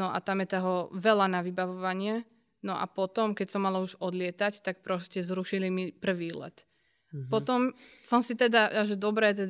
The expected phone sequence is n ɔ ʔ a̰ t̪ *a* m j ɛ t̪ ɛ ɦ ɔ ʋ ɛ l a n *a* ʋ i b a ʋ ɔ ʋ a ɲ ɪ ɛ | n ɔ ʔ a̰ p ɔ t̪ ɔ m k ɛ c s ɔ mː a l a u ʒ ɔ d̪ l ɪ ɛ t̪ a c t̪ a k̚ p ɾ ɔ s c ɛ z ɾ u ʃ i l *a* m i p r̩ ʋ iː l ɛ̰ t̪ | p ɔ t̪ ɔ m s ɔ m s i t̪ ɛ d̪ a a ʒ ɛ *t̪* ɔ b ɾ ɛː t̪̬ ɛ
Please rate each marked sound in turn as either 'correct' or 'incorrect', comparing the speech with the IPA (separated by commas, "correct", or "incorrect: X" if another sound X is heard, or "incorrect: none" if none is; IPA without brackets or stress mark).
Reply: correct, correct, incorrect: i, incorrect: d̪